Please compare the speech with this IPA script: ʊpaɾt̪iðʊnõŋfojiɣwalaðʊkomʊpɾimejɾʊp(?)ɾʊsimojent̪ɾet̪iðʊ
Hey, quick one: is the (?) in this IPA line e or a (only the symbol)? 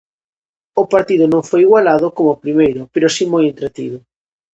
e